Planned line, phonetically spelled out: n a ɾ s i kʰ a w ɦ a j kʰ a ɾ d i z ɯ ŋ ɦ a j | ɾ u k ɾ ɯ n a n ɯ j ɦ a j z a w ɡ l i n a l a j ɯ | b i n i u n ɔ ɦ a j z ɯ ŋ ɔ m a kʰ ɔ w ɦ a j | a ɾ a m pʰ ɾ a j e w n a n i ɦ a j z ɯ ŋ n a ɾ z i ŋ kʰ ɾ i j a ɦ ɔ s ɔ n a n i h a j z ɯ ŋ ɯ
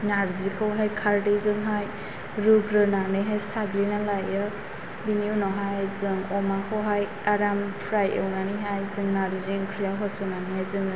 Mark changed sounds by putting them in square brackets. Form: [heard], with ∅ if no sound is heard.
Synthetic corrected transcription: n a ɾ [z] i kʰ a w ɦ a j kʰ a ɾ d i z ɯ ŋ ɦ a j | ɾ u [ɡ] ɾ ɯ n a n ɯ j ɦ a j [s] a [∅] ɡ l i n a l a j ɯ | b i n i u n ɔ ɦ a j z ɯ ŋ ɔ m a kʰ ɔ w ɦ a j | a ɾ a m pʰ ɾ a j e w n a n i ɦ a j z ɯ ŋ n a ɾ z i ŋ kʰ ɾ i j a ɦ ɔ s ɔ n a n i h a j z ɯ ŋ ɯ